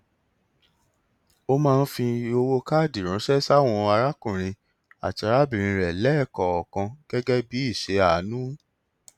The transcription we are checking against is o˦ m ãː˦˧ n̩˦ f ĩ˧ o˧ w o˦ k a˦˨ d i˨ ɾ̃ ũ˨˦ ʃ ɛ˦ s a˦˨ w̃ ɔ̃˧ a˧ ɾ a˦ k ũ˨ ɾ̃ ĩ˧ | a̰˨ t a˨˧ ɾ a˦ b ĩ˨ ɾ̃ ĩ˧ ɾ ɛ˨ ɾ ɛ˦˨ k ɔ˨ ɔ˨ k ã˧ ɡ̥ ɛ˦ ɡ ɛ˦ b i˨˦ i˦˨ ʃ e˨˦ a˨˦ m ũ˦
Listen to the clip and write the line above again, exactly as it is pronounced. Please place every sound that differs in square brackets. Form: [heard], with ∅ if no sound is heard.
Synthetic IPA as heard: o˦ m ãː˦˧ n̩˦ f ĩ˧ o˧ w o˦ k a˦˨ d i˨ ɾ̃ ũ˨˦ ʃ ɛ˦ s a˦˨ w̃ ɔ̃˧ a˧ ɾ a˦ k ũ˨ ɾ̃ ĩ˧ | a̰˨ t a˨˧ ɾ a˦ b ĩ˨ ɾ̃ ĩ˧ ɾ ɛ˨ [l] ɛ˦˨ k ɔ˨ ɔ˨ k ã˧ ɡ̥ ɛ˦ ɡ ɛ˦ b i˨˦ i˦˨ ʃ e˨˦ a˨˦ [n] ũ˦